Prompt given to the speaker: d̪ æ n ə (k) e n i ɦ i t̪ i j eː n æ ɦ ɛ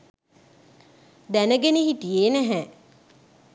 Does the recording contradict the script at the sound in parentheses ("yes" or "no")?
yes